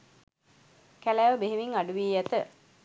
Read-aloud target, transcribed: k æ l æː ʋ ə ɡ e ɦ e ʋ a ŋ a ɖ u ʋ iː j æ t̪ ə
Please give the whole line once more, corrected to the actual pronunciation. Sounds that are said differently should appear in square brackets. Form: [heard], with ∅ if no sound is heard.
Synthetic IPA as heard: k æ l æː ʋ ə [b] e ɦ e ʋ [i] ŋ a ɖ u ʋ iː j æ t̪ ə